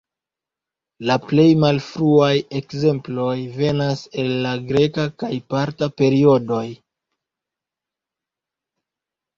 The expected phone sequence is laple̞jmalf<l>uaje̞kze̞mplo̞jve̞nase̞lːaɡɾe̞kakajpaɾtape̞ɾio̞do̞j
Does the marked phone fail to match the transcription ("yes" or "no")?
yes